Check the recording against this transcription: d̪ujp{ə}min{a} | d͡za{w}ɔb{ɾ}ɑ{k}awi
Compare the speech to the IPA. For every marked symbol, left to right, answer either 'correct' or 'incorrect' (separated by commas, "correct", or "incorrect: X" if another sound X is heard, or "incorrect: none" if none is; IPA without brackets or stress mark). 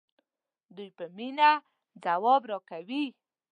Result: correct, correct, correct, correct, correct